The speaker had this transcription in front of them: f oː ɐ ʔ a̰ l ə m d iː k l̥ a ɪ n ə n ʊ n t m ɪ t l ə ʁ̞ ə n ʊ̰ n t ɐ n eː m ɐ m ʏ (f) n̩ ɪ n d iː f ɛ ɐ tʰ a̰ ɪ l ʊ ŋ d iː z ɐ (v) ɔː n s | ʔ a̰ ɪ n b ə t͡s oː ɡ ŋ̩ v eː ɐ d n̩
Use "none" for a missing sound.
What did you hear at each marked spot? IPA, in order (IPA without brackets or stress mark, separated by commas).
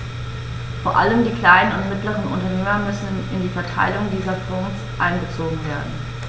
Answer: s, f